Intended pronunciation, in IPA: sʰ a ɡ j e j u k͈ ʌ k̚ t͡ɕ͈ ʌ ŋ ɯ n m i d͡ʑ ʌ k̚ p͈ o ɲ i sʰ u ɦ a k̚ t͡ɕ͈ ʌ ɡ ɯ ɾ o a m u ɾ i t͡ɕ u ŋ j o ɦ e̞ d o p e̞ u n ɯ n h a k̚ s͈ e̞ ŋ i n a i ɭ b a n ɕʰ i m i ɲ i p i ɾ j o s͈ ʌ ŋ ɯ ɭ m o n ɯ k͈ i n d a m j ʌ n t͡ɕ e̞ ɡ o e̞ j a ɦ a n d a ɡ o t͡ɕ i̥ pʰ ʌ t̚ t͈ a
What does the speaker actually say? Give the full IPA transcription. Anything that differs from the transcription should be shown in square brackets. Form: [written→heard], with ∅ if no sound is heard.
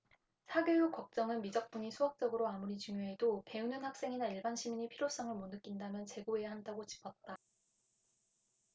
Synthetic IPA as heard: sʰ a ɡ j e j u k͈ ʌ k̚ t͡ɕ͈ ʌ ŋ ɯ n m i d͡ʑ ʌ k̚ p͈ [o→u] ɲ i sʰ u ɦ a k̚ t͡ɕ͈ ʌ ɡ ɯ ɾ o a m u ɾ i t͡ɕ u ŋ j o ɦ e̞ d o p e̞ u n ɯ n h a k̚ s͈ e̞ ŋ i n a i ɭ b a n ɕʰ i m i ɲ i [p→pʰ] i ɾ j o s͈ ʌ ŋ ɯ ɭ m o n ɯ k͈ i n d a m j ʌ n t͡ɕ e̞ ɡ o e̞ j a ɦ a n d a ɡ o t͡ɕ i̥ pʰ ʌ t̚ t͈ a